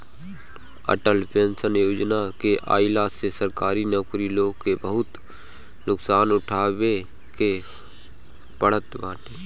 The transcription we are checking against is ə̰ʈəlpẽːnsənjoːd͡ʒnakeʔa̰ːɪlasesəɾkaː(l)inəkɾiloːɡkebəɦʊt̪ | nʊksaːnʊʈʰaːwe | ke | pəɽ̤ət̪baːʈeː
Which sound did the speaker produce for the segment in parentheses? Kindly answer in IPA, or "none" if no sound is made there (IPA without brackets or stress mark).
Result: ɾ